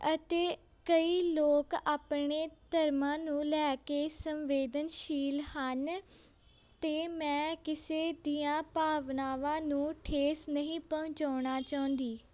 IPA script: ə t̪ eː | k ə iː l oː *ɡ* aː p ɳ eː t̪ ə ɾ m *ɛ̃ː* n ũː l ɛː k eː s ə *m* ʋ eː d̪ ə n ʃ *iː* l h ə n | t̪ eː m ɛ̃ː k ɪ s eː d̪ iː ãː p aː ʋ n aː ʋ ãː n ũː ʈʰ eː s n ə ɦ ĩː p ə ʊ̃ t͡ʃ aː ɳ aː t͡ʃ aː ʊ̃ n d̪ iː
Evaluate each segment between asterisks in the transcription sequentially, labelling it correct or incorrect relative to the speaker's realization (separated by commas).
incorrect, incorrect, correct, correct